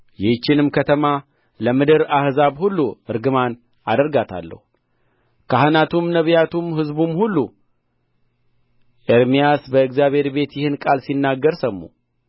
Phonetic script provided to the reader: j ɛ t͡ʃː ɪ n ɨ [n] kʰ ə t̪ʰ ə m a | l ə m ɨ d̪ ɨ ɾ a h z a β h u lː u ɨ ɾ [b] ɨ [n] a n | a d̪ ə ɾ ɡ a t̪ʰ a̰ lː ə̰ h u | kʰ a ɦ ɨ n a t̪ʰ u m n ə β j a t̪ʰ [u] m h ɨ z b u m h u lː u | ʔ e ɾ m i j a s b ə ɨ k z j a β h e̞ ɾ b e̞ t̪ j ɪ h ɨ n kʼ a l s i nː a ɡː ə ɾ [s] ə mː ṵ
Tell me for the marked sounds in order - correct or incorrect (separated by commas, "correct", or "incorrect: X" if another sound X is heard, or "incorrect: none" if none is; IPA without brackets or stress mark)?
incorrect: m, incorrect: ɡ, incorrect: m, correct, correct